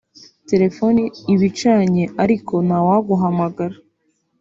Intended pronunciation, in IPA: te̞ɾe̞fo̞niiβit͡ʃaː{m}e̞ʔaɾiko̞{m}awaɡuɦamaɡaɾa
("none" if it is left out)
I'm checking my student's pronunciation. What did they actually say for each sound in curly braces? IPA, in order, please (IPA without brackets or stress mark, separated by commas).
ɲ, n